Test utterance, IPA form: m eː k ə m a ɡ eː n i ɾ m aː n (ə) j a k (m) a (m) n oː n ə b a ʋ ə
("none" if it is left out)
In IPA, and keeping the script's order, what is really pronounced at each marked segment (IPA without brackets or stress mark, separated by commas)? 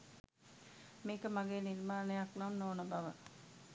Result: ə, n, m